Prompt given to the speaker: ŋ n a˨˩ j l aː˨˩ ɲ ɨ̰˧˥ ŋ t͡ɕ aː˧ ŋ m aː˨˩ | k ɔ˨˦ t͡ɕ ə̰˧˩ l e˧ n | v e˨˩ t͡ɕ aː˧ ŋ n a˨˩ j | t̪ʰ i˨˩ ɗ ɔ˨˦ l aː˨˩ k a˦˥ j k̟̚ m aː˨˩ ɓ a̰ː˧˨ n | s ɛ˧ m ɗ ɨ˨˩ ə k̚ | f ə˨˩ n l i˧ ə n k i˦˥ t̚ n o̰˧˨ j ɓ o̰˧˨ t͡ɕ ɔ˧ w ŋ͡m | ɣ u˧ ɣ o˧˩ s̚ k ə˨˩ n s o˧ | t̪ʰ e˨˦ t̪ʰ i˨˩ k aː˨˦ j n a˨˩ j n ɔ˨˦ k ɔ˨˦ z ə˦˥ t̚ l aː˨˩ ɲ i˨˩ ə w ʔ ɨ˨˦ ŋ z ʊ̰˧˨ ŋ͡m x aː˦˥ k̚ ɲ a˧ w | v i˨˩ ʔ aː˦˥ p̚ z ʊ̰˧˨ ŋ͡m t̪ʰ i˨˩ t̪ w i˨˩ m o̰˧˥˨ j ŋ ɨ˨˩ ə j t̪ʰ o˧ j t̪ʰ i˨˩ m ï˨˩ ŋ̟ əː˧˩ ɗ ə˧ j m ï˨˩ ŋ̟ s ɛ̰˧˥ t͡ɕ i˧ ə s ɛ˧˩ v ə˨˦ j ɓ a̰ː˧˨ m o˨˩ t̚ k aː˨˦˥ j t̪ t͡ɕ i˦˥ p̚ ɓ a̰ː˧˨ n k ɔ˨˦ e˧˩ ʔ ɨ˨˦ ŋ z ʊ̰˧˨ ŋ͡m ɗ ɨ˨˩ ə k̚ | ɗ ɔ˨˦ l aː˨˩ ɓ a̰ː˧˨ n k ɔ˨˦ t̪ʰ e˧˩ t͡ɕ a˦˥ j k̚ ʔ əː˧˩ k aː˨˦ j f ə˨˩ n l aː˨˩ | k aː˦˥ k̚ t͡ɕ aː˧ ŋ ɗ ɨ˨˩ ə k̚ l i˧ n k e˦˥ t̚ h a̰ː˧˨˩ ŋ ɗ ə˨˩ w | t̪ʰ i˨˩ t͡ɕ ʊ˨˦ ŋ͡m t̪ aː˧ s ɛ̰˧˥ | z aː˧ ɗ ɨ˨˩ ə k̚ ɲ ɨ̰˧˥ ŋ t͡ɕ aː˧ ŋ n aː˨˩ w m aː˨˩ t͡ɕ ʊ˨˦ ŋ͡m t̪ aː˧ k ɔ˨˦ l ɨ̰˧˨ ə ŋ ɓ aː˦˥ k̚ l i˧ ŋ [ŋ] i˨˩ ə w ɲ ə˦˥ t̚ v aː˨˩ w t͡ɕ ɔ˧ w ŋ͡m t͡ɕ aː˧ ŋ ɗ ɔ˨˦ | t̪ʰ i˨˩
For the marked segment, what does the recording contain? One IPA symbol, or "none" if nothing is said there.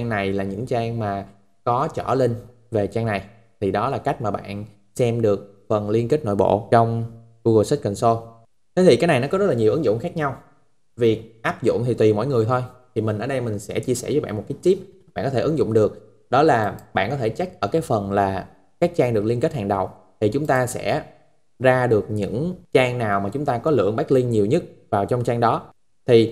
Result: ɲ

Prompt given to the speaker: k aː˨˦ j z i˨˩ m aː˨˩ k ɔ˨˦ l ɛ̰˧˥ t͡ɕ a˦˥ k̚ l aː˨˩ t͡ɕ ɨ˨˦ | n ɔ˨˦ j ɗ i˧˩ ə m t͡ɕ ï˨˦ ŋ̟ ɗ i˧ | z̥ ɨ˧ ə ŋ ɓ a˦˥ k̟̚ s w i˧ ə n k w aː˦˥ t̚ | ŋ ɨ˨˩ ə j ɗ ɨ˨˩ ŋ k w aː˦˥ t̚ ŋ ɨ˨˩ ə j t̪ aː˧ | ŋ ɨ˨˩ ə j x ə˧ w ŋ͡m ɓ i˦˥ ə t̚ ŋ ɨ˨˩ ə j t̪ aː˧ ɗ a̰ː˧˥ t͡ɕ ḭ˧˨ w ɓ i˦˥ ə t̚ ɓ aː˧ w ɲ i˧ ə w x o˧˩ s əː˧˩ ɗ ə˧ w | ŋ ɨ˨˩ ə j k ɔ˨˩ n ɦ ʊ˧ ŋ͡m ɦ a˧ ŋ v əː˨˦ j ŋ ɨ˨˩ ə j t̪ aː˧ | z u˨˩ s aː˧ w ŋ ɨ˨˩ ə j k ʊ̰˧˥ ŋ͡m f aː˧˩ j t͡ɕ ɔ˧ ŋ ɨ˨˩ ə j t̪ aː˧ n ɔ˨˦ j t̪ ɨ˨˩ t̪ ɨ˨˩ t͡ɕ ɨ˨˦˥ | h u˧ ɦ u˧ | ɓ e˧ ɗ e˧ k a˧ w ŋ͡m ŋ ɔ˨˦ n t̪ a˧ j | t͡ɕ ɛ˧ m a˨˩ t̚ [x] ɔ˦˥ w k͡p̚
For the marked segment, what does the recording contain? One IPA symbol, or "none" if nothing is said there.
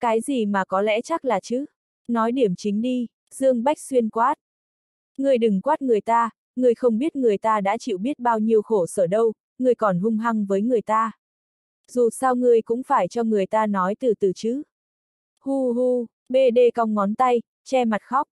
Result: x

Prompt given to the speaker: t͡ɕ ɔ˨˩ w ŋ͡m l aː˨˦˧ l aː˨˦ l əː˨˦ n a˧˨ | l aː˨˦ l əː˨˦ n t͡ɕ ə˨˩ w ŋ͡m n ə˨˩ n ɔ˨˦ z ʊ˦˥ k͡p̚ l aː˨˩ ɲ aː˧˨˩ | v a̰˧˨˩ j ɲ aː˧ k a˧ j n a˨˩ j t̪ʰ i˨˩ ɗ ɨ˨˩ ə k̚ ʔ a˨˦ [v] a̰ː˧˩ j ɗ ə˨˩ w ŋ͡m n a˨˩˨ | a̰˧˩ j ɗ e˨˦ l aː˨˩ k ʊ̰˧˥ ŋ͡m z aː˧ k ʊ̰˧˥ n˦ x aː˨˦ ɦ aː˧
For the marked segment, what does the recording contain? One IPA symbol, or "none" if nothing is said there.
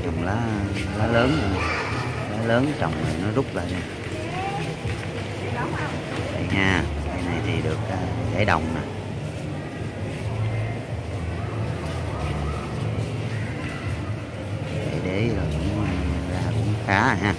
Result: z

